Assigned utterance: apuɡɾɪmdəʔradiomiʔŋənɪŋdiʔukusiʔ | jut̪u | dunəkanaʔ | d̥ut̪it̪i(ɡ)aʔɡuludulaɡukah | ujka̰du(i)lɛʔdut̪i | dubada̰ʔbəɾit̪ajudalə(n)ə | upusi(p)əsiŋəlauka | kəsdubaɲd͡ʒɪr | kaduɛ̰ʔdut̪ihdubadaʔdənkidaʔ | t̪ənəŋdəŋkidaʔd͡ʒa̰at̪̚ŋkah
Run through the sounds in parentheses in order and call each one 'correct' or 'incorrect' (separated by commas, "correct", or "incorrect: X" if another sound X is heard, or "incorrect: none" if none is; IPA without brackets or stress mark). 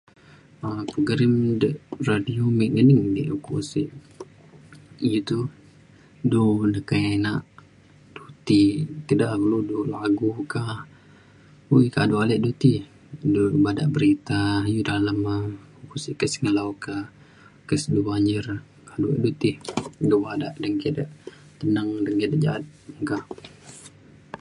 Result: incorrect: d, incorrect: a, incorrect: m, incorrect: k